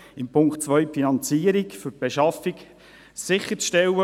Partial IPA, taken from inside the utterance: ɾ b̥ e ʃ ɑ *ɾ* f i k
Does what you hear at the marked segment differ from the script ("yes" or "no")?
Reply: yes